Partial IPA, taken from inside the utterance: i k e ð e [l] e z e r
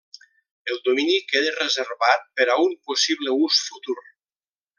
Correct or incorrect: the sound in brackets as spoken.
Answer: incorrect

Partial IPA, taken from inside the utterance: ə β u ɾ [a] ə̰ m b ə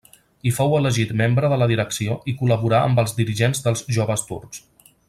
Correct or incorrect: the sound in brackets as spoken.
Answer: correct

